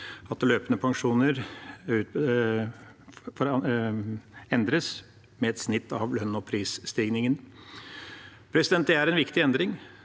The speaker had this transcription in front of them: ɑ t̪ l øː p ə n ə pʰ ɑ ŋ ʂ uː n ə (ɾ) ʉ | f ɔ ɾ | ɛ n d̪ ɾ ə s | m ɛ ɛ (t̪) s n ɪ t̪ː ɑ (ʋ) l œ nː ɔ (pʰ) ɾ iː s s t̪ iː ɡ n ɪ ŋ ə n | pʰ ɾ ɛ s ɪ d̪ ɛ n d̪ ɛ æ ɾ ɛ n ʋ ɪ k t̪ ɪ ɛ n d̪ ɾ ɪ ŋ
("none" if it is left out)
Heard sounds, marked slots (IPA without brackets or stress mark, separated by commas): ɾ, t̪, ʋ, pʰ